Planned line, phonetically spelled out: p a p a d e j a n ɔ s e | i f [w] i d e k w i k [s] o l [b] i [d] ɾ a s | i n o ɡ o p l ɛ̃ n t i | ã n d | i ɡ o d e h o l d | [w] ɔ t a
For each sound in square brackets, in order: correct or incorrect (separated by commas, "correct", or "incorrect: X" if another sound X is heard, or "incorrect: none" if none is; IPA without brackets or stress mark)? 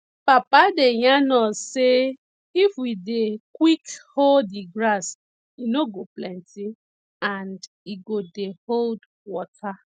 correct, incorrect: h, incorrect: d, incorrect: ɡ, correct